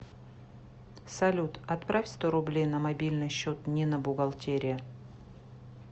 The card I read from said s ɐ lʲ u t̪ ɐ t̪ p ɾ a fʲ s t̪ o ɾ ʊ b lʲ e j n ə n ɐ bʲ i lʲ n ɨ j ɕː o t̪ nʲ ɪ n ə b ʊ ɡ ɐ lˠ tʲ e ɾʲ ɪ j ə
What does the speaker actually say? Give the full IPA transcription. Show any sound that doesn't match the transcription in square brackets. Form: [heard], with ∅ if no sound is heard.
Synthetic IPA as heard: s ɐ lʲ u t̪ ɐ t̪ p ɾ a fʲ s t̪ o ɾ ʊ b lʲ e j n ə [m] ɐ bʲ i lʲ n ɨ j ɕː o t̪ nʲ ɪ n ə b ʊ ɡ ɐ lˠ tʲ e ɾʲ ɪ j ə